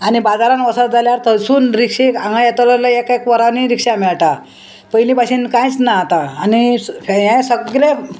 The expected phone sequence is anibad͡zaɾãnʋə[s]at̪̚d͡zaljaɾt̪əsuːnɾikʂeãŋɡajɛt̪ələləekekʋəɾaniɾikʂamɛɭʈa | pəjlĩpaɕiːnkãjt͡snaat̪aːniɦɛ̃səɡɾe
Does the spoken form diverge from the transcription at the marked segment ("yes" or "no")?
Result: no